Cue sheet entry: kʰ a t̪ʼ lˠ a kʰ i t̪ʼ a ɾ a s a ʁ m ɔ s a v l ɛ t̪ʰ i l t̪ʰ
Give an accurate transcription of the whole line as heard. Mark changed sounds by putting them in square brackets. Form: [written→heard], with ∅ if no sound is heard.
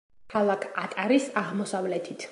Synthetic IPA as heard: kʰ a [t̪ʼ→∅] lˠ a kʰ [i→a] t̪ʼ a ɾ [a→i] s a ʁ m ɔ s a v l ɛ t̪ʰ i [l→∅] t̪ʰ